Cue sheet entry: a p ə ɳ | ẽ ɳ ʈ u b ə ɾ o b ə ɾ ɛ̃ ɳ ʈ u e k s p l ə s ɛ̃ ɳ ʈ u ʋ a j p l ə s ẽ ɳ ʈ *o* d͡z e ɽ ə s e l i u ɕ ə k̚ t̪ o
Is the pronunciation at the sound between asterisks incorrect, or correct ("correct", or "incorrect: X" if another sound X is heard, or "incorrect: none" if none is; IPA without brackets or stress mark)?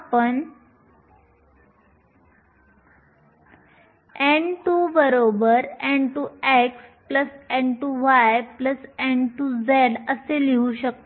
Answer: incorrect: u